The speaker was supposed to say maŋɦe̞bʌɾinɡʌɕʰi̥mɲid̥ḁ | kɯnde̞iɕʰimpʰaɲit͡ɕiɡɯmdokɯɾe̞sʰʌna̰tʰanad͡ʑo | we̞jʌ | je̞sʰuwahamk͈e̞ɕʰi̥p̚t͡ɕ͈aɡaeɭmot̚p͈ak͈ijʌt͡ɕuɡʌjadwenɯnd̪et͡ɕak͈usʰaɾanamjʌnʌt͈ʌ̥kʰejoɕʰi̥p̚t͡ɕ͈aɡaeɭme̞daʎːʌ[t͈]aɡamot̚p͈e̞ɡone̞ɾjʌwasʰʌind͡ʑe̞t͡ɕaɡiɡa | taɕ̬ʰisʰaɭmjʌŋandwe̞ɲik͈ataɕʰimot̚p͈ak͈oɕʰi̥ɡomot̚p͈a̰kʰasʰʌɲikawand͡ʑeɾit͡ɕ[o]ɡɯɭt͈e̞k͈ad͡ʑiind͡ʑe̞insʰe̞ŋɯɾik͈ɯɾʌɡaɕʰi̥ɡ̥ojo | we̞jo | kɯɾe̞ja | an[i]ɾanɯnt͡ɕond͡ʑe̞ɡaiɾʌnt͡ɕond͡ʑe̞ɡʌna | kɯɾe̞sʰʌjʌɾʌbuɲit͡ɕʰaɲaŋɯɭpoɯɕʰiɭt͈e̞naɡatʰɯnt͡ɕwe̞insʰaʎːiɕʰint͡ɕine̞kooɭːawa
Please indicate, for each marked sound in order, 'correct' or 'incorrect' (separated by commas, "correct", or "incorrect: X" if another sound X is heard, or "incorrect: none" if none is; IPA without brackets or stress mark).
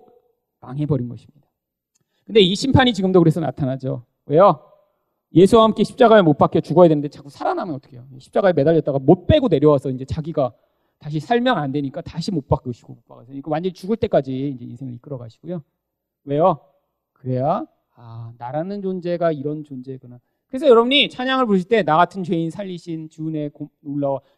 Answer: correct, incorrect: u, incorrect: a